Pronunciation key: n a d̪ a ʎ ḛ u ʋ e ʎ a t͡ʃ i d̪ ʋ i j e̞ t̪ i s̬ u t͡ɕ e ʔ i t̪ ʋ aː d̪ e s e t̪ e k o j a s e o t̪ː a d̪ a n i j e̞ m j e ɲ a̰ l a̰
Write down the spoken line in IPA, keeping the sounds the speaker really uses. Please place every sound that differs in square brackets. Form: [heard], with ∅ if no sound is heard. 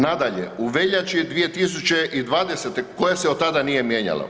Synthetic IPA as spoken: n a d̪ a ʎ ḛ u ʋ e ʎ a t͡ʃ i d̪ ʋ i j e̞ t̪ i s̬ u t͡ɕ e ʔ i [d̪] ʋ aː d̪ e s e t̪ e k o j a s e o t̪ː a d̪ a n i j e̞ m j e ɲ a̰ l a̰